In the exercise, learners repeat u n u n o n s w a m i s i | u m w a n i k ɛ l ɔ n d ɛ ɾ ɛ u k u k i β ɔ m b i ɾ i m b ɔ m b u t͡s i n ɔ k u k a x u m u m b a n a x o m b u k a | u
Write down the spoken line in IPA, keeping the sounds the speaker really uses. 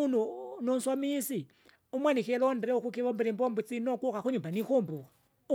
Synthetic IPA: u n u n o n s w a m i s i | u m w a n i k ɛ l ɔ n d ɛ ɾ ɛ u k u k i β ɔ m b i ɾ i m b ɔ m b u t͡s i n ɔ k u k a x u ɲ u m b a n i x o m b u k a | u